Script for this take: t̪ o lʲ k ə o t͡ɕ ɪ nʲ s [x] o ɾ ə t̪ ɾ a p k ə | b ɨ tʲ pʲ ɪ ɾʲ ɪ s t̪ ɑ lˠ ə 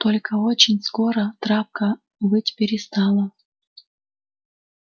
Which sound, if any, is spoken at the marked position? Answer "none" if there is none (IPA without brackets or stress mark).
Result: k